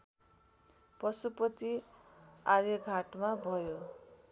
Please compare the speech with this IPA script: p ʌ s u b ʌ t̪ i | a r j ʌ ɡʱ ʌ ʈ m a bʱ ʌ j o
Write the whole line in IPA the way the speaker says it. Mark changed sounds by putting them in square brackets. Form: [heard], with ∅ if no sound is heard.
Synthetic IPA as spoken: p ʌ s u [p] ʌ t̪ i | a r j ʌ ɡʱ [a] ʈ m a bʱ ʌ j o